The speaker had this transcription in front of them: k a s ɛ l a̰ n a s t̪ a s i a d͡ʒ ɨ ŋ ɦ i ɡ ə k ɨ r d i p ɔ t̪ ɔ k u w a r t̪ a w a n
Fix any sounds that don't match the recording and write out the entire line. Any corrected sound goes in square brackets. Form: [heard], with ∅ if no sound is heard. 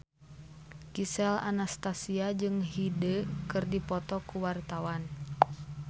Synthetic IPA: k [i] s ɛ l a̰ n a s t̪ a s i a d͡ʒ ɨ ŋ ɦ i [d] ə k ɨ r d i p ɔ t̪ ɔ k u w a r t̪ a w a n